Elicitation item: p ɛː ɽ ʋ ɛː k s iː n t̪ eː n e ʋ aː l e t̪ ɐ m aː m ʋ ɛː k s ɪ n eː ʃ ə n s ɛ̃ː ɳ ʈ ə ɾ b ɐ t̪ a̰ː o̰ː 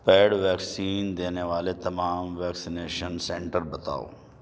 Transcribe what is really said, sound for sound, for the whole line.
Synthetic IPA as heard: p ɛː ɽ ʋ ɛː k s iː n d̪ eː n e ʋ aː l e t̪ ɐ m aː m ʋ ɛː k s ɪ n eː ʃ ə n s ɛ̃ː ɳ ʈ ə ɾ b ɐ t̪ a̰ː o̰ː